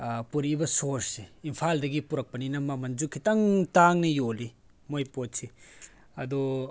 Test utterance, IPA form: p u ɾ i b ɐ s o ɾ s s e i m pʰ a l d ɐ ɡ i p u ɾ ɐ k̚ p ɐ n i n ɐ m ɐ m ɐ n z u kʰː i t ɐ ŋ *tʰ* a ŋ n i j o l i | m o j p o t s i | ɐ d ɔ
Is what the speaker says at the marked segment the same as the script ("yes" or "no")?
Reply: no